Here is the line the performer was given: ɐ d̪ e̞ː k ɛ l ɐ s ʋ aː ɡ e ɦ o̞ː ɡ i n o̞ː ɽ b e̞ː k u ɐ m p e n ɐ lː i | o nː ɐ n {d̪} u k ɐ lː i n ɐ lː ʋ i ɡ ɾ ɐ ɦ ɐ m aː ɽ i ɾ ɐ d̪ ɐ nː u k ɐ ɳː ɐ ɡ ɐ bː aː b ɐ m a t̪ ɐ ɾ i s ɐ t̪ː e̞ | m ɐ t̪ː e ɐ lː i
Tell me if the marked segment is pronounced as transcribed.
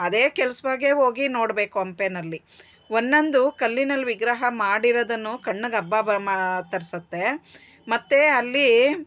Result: yes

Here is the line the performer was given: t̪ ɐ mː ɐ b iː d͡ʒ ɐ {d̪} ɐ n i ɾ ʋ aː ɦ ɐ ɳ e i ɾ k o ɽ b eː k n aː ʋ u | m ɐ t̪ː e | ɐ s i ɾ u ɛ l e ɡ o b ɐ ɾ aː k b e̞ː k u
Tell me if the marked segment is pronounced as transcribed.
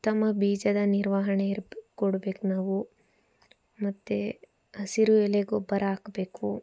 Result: yes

